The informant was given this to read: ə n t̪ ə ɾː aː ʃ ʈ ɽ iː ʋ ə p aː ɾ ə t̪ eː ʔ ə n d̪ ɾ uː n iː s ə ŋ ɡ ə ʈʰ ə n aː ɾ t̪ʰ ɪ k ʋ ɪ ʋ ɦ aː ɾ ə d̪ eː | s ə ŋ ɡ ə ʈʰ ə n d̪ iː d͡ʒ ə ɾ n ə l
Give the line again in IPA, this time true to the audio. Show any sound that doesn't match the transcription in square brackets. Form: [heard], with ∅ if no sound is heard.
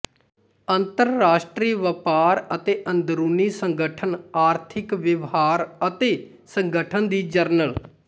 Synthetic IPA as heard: ə n t̪ ə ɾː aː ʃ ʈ [ɾ] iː ʋ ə p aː ɾ ə t̪ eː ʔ ə n d̪ ɾ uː n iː s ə ŋ ɡ ə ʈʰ ə n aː ɾ t̪ʰ ɪ k ʋ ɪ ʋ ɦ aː ɾ ə [t̪] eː | s ə ŋ ɡ ə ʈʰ ə n d̪ iː d͡ʒ ə ɾ n ə l